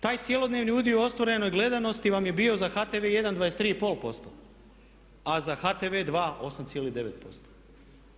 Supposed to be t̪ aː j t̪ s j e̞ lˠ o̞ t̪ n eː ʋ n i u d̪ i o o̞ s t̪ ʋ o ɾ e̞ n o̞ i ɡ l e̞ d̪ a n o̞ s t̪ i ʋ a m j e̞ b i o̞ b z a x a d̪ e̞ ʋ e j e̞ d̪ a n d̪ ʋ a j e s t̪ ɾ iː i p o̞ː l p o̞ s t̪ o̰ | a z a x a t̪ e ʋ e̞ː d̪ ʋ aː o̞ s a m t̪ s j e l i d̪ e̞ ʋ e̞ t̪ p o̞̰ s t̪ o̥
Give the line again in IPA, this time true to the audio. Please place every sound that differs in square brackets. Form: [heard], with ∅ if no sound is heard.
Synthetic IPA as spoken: t̪ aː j t̪ s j e̞ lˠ o̞ [d̪] n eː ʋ n i u d̪ i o o̞ s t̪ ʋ o ɾ e̞ n o̞ [j] ɡ l e̞ d̪ a n o̞ s t̪ i ʋ a m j e̞ b i o̞ [∅] z a x a [t̪] e̞ ʋ e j e̞ d̪ a n d̪ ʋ a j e s t̪ ɾ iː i p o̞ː l p o̞ s t̪ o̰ | a z a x a t̪ e ʋ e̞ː d̪ ʋ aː o̞ s a m t̪ s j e l i d̪ e̞ ʋ e̞ t̪ p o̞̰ s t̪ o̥